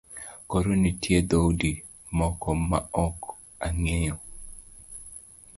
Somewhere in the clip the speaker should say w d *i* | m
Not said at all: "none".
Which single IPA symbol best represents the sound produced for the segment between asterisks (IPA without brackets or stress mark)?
i